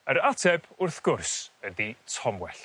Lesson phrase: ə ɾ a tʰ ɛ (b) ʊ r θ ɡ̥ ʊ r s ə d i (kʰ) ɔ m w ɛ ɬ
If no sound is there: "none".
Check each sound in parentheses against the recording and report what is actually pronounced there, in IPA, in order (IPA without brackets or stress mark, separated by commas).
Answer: b, tʰ